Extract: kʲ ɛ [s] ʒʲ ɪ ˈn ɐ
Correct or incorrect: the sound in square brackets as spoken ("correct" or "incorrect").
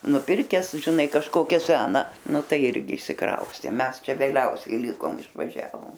correct